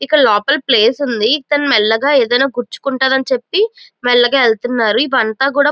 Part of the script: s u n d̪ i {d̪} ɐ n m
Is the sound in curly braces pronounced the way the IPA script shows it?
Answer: no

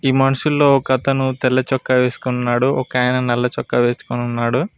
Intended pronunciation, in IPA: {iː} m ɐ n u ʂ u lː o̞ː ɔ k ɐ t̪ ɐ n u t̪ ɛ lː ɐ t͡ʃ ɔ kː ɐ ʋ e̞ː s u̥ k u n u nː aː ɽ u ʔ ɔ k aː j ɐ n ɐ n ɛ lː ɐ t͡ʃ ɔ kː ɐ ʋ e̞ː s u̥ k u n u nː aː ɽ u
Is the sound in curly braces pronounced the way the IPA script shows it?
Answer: yes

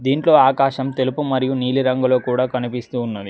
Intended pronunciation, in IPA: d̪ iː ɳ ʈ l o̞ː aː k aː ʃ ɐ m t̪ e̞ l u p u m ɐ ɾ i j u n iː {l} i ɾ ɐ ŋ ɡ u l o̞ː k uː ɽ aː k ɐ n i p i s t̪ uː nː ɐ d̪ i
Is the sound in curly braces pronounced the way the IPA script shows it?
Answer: yes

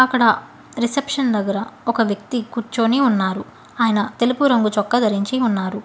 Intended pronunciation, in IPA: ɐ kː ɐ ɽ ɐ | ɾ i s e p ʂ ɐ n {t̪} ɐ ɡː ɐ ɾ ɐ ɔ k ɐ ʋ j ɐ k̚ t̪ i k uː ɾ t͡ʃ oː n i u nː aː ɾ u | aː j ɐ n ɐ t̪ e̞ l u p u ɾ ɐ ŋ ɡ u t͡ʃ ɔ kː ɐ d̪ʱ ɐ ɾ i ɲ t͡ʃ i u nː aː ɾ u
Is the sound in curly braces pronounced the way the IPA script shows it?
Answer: no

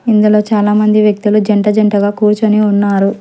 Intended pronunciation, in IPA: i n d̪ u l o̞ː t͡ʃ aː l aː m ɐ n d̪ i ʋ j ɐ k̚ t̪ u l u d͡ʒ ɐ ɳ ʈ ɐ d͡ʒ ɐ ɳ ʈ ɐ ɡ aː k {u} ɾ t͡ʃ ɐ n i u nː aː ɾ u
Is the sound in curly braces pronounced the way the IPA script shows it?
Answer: no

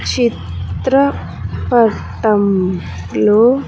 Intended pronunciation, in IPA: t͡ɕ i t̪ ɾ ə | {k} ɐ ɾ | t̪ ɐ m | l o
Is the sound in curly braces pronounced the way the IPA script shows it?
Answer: no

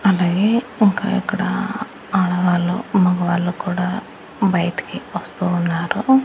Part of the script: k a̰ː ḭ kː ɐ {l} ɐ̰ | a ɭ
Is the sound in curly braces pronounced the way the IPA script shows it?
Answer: no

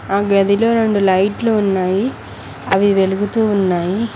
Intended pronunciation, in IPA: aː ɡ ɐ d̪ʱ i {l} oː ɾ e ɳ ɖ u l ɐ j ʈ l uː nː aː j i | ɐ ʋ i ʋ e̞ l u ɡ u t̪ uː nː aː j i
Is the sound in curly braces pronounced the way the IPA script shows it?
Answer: yes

